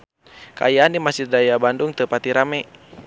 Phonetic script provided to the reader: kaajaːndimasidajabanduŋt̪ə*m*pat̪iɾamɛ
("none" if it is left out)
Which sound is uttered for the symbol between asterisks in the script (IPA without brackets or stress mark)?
none